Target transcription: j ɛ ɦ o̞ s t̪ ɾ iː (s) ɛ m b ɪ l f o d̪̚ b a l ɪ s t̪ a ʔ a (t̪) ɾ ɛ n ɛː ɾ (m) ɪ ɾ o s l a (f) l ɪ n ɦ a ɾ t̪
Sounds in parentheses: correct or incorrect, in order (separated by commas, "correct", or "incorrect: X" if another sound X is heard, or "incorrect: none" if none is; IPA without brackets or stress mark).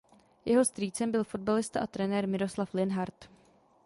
incorrect: t͡s, correct, correct, correct